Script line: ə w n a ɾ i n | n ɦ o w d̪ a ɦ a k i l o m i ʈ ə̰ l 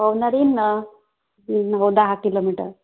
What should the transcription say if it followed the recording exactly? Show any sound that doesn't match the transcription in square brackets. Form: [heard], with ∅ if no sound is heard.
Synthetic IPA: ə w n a ɾ i n | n ɦ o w d̪ a ɦ a k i l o m i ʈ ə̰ [ɾ]